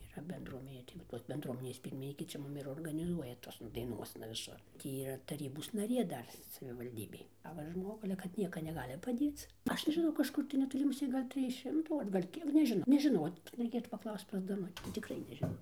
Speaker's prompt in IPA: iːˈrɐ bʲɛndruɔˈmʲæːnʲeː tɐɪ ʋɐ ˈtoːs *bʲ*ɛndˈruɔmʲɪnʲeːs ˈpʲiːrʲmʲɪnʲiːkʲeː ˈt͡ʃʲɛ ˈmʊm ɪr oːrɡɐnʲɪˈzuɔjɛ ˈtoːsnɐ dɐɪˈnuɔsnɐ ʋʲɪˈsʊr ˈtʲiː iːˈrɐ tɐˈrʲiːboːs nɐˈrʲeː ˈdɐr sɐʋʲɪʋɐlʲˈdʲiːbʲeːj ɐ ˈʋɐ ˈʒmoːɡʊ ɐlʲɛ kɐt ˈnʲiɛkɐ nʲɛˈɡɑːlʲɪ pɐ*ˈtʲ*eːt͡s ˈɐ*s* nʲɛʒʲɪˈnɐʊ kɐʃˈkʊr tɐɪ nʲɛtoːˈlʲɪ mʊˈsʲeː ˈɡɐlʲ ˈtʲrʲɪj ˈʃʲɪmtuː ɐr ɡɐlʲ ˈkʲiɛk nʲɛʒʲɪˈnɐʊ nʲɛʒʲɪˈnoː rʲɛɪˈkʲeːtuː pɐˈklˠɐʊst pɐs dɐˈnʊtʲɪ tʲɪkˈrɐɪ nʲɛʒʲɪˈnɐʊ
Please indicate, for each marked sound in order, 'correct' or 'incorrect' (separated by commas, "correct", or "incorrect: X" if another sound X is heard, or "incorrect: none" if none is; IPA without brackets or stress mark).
correct, incorrect: dʲ, incorrect: ʃ